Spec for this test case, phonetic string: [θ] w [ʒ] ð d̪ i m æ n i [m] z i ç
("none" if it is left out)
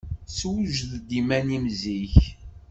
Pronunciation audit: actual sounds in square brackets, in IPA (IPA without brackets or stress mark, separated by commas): s, ʒ, m